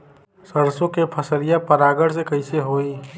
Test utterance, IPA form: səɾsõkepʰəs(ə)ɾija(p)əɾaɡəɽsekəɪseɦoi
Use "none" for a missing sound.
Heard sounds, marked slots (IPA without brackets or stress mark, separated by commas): ə, p